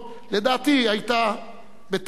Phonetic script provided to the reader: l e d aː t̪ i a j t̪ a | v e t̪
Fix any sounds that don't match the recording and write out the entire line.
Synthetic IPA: l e d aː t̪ i a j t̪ a | b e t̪